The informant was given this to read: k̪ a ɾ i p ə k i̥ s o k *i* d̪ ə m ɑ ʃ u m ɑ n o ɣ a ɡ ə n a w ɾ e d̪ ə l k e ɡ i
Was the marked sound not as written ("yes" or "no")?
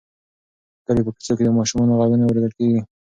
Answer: yes